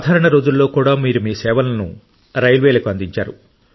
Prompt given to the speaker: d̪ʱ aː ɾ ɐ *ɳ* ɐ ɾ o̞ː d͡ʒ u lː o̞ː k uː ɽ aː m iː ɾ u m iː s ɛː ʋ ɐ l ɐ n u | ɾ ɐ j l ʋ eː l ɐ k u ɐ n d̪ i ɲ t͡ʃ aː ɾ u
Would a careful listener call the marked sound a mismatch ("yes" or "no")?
no